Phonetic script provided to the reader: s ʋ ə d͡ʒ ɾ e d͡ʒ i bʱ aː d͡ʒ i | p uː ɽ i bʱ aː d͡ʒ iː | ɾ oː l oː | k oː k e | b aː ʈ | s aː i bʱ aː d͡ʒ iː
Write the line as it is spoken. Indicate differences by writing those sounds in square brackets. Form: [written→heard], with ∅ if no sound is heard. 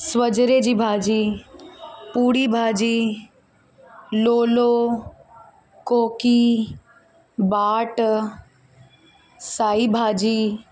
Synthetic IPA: s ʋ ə d͡ʒ ɾ e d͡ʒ i bʱ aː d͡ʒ i | p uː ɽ i bʱ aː d͡ʒ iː | [ɾ→l] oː l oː | k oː k [e→i] | b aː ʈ | s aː i bʱ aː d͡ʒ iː